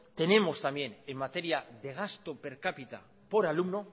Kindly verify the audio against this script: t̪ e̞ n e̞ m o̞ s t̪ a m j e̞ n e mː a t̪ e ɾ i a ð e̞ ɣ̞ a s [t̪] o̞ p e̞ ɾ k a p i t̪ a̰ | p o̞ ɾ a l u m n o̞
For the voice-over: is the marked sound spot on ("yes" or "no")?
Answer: yes